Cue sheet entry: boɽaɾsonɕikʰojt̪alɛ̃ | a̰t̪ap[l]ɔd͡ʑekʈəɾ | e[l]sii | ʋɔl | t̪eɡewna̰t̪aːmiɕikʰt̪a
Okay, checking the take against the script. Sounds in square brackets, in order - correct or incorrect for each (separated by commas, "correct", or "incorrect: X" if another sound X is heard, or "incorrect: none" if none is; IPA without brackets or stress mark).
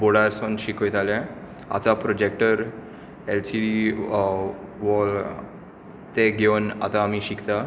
incorrect: ɾ, correct